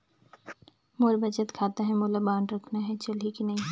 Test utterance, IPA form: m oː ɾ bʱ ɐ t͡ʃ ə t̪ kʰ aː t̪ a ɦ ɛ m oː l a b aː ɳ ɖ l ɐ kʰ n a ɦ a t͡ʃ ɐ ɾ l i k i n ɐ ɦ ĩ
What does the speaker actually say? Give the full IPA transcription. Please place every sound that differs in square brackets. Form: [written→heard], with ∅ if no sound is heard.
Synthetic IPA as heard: m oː ɾ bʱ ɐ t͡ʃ ə t̪ kʰ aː t̪ a ɦ ɛ m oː l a b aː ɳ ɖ [l→ɾ] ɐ kʰ n a ɦ [a→ɛ] t͡ʃ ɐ [ɾ→∅] l i k i n ɐ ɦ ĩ